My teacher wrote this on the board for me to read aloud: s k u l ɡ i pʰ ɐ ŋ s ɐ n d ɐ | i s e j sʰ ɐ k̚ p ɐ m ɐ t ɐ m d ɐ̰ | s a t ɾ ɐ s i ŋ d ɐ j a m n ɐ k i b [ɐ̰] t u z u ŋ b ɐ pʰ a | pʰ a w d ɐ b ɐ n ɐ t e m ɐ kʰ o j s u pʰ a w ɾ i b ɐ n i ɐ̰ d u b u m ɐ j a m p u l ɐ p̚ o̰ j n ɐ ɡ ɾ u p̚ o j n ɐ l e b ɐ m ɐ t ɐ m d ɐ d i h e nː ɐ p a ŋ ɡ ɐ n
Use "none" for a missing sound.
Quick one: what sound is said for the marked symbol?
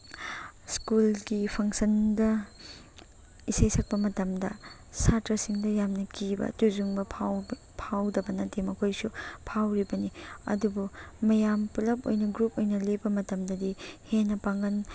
ɐ̰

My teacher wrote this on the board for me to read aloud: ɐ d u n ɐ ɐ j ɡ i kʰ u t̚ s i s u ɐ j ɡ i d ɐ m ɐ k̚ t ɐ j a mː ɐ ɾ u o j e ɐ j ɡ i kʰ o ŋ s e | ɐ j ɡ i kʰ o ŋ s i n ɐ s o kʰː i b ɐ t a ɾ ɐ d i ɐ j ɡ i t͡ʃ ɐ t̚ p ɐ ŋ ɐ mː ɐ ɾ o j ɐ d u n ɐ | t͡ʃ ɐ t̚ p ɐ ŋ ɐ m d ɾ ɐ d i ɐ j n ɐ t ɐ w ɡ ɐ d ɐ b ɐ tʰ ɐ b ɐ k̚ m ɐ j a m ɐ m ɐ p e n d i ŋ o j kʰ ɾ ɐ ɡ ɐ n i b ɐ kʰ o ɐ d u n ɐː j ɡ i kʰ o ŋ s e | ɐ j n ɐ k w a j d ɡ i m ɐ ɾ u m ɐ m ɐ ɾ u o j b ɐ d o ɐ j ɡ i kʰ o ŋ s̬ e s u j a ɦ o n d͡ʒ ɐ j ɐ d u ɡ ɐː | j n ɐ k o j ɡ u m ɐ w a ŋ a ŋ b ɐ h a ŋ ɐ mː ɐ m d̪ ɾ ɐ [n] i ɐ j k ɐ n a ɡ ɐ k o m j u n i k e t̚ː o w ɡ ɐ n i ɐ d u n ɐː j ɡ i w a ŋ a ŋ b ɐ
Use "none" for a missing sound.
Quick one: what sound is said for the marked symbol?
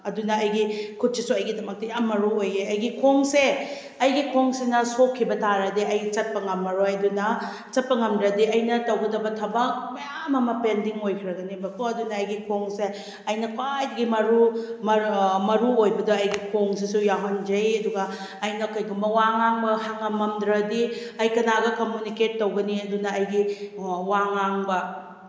d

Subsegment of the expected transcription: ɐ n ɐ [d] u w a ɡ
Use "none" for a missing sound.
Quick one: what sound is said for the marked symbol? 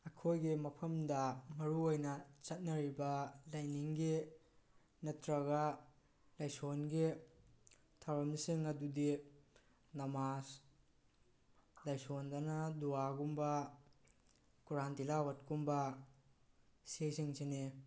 d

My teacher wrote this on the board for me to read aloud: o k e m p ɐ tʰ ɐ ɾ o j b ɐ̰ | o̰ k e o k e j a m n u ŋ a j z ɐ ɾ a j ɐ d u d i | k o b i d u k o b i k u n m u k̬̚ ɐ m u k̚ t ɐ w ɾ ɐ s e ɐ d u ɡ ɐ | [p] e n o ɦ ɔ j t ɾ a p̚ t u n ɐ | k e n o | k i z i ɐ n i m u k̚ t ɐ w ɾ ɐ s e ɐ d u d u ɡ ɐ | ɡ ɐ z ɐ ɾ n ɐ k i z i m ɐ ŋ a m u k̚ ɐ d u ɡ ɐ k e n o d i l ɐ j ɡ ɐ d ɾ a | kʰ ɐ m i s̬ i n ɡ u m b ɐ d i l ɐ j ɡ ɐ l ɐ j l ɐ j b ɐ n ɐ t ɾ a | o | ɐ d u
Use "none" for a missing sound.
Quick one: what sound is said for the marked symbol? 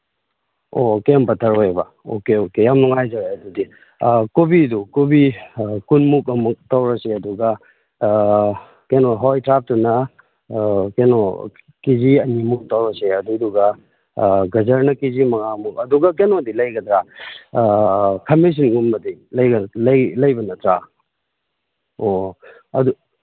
k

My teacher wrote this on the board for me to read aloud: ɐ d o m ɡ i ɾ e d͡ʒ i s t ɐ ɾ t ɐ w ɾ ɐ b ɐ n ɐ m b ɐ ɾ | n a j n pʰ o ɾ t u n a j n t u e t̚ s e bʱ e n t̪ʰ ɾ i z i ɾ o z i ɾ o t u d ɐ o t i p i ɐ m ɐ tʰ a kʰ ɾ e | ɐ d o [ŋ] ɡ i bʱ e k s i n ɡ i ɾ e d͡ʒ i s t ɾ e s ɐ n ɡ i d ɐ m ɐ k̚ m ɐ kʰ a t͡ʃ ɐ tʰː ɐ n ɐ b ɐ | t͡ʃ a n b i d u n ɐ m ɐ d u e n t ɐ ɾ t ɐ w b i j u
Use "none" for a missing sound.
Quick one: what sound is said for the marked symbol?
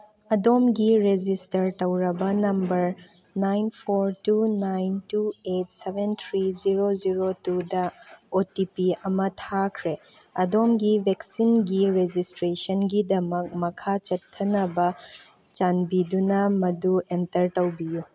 m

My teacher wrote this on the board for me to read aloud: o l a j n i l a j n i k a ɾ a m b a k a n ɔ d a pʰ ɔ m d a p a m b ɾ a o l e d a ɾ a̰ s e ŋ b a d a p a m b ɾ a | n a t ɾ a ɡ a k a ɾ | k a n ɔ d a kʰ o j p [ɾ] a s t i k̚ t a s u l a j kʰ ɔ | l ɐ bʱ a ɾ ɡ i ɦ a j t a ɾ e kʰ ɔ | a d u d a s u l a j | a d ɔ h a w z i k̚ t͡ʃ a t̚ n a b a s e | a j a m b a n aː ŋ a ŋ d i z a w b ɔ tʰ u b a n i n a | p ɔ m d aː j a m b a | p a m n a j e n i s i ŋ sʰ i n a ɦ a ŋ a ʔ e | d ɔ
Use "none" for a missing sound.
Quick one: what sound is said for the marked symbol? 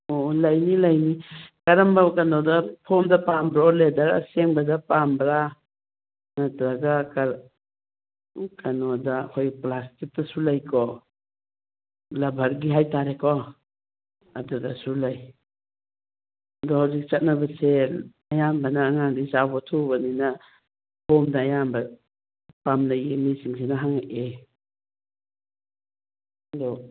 l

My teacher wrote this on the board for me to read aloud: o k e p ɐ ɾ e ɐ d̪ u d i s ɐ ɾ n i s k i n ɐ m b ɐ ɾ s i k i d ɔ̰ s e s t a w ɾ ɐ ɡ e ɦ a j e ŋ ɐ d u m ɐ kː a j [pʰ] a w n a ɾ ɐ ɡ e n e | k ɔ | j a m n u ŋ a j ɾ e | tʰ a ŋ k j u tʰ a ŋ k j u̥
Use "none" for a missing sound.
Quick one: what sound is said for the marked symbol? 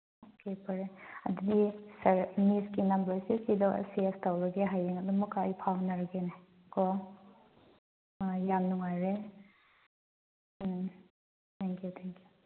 pʰ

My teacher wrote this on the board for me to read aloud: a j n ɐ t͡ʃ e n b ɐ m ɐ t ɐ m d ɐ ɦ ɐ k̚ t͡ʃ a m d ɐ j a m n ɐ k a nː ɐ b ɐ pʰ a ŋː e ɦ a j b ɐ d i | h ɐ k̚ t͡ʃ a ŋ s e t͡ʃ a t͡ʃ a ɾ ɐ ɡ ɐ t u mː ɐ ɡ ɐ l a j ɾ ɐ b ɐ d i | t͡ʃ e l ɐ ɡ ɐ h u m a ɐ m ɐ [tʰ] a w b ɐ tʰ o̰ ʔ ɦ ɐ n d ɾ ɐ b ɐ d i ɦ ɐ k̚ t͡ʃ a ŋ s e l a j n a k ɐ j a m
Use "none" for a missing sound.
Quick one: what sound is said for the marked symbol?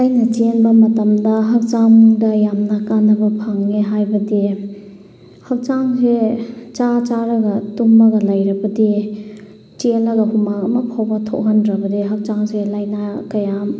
pʰ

